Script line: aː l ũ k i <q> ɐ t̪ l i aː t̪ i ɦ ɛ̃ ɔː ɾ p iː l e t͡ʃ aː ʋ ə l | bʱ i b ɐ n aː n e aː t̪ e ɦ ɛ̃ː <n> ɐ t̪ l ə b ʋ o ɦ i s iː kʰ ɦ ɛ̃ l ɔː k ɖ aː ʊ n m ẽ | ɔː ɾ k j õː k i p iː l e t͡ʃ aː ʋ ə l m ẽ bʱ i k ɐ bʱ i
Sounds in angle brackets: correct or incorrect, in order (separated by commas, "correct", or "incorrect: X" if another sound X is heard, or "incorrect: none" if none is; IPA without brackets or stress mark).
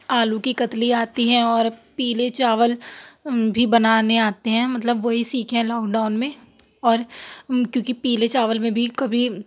incorrect: k, incorrect: m